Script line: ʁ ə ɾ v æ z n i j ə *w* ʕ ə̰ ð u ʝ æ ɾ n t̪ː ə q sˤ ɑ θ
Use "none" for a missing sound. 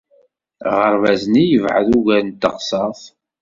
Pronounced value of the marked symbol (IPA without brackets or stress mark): v